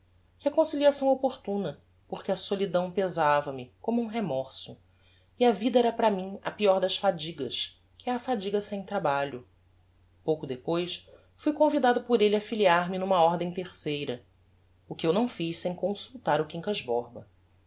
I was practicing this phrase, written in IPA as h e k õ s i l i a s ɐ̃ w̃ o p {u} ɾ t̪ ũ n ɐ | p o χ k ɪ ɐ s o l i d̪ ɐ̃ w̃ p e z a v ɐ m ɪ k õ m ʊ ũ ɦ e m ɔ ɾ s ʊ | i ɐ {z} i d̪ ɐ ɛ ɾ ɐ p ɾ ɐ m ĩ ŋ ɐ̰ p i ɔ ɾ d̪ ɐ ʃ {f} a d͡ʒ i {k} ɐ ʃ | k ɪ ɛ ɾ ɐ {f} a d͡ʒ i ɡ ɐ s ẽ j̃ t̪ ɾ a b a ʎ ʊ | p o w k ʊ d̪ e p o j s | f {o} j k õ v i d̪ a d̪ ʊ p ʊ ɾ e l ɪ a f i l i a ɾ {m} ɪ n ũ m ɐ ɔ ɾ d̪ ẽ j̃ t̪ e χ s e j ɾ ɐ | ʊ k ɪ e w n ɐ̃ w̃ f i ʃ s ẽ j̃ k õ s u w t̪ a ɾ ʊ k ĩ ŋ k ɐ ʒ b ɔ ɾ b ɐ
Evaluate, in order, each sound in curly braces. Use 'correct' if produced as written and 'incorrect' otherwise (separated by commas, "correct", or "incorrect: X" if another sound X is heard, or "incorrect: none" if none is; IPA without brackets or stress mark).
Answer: incorrect: o, incorrect: v, correct, incorrect: ɡ, correct, incorrect: u, correct